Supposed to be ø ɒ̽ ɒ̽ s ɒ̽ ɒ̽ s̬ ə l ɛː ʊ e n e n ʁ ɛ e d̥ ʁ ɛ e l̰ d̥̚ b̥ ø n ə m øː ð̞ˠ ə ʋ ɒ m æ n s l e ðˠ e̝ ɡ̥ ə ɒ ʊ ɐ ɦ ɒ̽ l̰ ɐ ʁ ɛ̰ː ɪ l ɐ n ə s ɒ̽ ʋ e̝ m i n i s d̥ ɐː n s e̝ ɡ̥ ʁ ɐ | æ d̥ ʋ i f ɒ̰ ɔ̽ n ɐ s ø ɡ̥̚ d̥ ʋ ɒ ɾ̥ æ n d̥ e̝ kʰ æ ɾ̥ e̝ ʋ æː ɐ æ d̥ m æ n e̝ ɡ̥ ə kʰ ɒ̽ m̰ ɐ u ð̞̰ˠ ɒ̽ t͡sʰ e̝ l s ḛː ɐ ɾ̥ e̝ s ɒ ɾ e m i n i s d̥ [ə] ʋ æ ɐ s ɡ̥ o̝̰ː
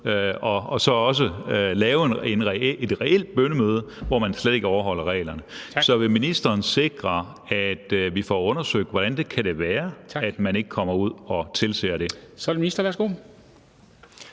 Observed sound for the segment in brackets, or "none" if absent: ɐ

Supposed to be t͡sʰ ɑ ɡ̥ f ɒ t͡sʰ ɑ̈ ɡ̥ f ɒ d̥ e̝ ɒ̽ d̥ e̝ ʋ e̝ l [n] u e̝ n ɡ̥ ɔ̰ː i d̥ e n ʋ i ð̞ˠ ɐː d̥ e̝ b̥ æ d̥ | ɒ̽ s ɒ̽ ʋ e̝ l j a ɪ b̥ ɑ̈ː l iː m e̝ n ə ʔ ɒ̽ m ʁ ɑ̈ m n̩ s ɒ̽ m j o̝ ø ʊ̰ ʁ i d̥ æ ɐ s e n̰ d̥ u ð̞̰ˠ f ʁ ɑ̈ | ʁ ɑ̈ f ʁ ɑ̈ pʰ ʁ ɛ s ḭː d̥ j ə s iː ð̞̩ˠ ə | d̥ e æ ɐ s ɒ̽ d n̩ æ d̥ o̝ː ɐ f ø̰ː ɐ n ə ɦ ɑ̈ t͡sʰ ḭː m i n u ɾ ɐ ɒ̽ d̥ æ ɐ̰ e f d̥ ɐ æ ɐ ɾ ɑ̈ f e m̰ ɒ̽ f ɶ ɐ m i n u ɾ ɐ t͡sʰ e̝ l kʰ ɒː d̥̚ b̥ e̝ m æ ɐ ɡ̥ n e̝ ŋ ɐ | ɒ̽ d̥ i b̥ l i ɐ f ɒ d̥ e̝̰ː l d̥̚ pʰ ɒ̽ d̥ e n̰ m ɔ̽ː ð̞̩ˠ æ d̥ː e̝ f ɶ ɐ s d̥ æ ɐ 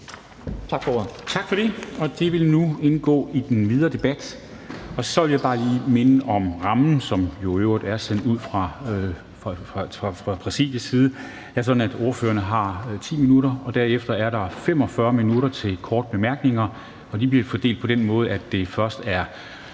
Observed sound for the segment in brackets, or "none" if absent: n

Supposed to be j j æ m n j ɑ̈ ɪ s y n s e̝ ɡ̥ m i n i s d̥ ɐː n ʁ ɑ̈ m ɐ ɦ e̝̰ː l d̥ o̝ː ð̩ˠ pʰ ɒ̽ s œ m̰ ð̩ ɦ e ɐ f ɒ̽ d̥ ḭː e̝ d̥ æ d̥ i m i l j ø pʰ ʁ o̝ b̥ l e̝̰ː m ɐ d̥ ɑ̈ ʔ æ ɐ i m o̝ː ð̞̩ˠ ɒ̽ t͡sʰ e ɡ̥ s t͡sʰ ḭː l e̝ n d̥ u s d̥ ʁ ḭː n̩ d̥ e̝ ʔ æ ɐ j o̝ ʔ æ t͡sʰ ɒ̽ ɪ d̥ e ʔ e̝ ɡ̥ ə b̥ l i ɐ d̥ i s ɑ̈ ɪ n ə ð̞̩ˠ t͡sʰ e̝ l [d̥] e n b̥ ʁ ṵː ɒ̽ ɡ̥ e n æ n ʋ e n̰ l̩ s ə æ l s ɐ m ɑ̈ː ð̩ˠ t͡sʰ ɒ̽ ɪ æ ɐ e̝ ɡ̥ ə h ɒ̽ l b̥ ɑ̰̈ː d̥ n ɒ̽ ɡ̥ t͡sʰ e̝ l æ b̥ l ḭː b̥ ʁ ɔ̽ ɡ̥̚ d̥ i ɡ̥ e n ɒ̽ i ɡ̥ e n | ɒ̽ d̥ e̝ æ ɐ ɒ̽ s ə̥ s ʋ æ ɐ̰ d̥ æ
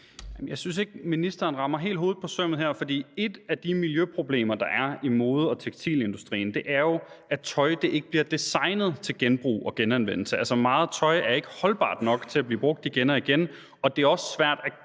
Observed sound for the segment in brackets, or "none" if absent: ɡ̥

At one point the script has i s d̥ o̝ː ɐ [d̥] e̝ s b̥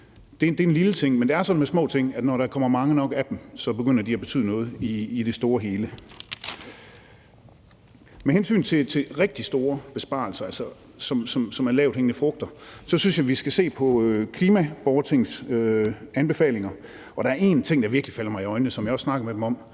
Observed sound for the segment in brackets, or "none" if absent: b̥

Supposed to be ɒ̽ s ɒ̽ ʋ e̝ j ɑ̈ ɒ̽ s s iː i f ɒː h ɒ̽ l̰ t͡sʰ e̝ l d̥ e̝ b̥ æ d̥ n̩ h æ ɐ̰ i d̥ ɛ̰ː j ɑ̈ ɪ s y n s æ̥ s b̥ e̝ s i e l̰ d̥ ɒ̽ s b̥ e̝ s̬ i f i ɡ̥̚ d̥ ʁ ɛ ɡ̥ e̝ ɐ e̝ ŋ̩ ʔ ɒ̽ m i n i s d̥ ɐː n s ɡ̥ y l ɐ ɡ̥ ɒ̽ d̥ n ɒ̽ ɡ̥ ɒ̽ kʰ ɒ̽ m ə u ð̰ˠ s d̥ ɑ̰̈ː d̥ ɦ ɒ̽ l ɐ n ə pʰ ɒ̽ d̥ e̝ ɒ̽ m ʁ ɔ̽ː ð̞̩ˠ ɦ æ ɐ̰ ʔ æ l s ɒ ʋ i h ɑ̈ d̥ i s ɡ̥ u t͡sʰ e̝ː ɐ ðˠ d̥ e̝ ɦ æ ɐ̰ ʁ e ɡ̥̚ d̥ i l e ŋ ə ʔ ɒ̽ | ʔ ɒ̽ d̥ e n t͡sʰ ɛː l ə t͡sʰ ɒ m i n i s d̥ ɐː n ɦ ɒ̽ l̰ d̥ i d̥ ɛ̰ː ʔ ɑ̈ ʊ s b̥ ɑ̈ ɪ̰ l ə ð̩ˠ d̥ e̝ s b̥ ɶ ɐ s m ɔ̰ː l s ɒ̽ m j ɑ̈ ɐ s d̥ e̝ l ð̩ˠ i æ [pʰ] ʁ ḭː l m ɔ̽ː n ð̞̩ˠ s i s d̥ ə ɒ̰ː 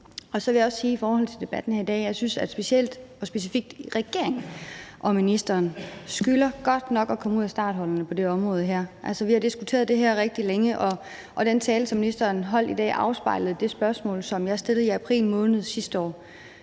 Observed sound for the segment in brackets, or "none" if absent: pʰ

